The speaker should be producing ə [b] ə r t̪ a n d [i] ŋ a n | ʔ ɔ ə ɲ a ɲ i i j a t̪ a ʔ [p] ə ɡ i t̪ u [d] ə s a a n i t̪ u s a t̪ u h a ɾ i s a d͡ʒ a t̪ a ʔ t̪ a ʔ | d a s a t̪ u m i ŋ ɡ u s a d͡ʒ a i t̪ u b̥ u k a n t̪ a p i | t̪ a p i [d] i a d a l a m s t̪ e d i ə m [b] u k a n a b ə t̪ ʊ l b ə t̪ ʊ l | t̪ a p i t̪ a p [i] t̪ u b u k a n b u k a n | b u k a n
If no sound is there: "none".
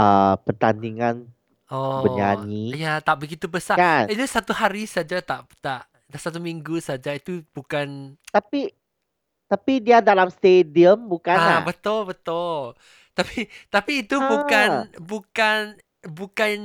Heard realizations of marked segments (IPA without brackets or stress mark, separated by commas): p, i, b, b, d, b, iː